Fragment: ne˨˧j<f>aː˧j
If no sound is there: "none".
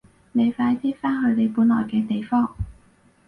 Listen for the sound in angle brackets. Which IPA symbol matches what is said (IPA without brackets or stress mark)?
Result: f